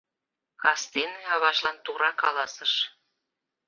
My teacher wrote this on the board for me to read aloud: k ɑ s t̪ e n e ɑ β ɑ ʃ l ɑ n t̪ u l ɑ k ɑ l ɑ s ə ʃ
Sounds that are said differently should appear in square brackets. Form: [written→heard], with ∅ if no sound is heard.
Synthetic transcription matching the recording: k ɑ s t̪ e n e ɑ β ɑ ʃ l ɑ n t̪ u [l→ɾ] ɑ k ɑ l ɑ s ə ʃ